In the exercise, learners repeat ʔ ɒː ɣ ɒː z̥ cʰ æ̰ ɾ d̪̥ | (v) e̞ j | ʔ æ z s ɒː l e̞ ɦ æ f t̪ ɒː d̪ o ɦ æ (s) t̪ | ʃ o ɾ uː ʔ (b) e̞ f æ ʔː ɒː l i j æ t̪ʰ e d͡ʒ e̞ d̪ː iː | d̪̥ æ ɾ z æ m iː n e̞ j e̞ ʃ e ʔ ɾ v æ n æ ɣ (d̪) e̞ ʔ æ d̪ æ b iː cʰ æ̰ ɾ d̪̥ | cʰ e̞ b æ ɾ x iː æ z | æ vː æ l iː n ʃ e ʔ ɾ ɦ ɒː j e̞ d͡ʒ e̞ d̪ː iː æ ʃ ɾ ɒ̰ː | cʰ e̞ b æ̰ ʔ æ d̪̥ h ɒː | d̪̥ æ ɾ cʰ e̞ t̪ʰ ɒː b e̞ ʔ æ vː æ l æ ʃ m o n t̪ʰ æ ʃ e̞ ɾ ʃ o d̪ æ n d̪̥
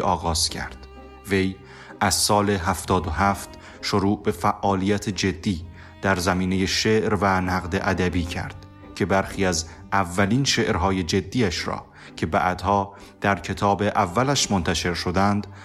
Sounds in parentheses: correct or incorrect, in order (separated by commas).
correct, incorrect, correct, correct